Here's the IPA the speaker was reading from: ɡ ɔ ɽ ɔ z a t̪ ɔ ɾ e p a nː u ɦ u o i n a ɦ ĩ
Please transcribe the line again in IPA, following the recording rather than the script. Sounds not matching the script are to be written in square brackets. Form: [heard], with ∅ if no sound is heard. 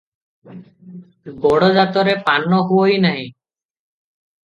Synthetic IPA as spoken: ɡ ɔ ɽ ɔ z a t̪ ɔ ɾ e p a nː [ɔ] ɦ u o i n a ɦ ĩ